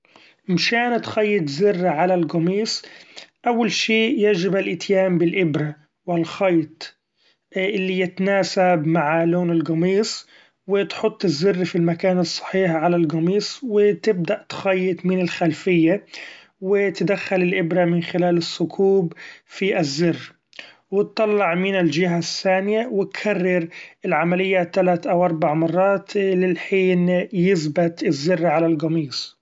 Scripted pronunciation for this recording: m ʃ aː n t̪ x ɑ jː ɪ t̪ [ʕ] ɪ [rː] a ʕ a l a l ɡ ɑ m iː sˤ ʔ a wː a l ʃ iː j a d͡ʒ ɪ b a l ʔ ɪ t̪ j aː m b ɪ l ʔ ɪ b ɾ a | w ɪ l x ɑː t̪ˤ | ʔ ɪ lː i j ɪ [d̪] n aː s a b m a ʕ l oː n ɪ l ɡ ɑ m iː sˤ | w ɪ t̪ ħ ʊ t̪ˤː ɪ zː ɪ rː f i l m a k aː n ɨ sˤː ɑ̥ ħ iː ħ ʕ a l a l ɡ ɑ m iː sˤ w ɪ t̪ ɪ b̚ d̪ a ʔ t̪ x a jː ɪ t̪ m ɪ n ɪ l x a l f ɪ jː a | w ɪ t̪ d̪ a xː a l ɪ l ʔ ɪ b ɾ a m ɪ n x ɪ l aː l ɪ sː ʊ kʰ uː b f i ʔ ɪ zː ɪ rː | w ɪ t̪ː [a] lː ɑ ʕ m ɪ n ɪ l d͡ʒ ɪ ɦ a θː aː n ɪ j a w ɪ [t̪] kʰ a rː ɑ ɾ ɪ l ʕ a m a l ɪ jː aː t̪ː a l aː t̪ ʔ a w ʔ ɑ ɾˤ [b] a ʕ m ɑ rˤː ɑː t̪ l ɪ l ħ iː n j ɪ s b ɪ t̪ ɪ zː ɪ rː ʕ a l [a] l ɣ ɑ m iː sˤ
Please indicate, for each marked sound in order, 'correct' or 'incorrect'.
incorrect: z, correct, incorrect: t̪, incorrect: ɑ, correct, correct, correct

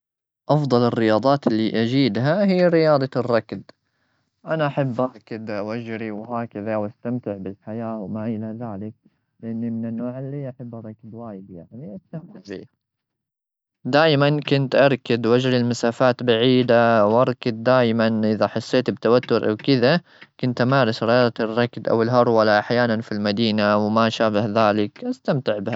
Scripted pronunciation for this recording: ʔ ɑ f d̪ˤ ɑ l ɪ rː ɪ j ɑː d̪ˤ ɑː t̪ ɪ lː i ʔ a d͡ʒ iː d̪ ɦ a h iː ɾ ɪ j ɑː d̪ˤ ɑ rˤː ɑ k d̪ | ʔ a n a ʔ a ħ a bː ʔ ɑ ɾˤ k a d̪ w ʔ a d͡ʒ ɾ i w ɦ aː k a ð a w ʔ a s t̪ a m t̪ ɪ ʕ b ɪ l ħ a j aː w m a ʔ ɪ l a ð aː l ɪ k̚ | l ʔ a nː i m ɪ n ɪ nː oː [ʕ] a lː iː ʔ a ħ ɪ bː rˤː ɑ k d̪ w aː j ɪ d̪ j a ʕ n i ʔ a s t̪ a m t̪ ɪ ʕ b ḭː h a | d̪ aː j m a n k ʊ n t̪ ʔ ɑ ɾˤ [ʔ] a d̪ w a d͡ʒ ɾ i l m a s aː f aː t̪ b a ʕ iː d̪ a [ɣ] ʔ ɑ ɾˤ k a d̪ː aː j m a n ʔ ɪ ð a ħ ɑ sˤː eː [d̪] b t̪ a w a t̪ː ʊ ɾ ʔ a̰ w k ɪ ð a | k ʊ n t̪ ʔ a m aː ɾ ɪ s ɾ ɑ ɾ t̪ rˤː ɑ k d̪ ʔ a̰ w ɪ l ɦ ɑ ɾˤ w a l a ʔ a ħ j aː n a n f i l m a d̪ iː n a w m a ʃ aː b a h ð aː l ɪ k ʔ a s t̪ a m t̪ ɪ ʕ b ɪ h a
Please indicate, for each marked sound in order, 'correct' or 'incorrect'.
correct, incorrect: k, incorrect: w, incorrect: t̪

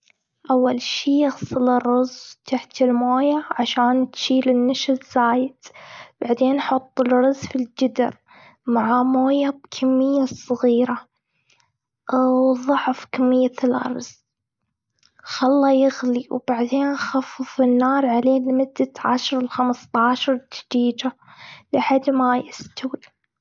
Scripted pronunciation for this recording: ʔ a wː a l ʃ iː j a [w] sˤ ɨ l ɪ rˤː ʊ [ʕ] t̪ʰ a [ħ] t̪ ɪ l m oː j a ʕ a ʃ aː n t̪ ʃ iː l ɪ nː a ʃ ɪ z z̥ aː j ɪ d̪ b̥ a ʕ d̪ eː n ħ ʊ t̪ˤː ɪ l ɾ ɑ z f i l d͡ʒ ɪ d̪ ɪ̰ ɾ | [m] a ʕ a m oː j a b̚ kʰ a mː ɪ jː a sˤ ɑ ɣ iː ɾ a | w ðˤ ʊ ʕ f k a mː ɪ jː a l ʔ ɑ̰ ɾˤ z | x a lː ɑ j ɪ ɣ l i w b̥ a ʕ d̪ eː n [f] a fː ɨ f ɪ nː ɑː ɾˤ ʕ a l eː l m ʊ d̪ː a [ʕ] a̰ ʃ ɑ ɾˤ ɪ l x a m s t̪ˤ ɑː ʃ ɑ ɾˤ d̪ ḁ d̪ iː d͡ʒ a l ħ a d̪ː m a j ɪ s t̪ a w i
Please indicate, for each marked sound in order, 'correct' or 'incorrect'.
incorrect: ɣ, incorrect: z, correct, correct, incorrect: x, correct

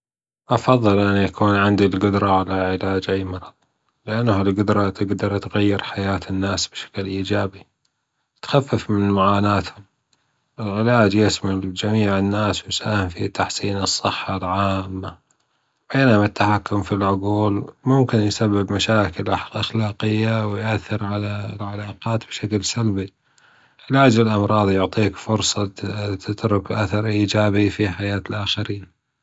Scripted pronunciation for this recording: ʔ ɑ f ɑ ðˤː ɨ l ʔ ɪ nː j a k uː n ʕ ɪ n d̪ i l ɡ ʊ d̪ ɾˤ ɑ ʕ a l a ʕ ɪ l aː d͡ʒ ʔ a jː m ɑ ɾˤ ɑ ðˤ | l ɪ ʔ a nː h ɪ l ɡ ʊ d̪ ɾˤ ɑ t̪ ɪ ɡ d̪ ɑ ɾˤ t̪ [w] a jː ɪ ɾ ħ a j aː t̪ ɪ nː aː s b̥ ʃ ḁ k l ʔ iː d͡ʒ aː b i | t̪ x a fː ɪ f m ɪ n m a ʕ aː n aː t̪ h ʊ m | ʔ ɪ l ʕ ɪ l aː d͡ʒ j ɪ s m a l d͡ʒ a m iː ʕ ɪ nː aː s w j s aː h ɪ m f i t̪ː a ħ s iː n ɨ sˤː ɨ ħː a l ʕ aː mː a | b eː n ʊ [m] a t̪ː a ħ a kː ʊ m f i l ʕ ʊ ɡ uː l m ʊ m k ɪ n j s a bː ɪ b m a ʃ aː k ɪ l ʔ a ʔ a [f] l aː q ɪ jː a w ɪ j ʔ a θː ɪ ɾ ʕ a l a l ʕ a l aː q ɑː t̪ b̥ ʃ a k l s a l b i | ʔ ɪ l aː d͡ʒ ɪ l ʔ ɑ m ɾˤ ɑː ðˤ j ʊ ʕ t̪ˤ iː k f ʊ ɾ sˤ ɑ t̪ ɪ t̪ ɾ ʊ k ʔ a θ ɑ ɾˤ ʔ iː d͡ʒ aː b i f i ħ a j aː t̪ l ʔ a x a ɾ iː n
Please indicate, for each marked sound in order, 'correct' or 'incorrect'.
incorrect: ɣ, correct, incorrect: x

